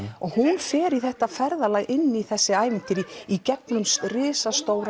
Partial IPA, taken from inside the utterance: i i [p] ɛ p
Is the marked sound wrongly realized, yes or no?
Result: yes